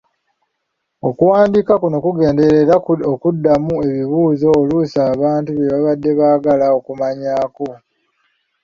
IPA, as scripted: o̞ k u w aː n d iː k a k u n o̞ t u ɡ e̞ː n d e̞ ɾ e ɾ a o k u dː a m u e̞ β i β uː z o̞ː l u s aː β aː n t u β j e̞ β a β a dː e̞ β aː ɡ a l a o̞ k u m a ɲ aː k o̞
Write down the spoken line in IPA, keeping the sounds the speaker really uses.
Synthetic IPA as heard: o̞ k u w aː n d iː k a k u n o̞ k u ɡ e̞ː n d e̞ ɾ e ɾ a o k u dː a m u e̞ β i β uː z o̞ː l u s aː β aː n t u β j e̞ β a β a dː e̞ β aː ɡ a l a o̞ k u m a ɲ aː k o̞